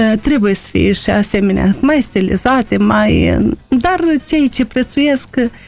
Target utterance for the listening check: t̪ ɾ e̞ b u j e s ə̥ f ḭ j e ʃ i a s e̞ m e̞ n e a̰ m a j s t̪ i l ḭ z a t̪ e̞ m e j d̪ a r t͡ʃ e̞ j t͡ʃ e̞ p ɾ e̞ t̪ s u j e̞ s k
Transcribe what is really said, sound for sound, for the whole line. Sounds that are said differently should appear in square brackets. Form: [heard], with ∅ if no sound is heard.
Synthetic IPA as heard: t̪ ɾ e̞ b u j e s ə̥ f ḭ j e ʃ i a s e̞ m e̞ n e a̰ m a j s t̪ i l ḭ z a t̪ e̞ m [a] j d̪ a r t͡ʃ e̞ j t͡ʃ e̞ p ɾ e̞ t̪ s u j e̞ s k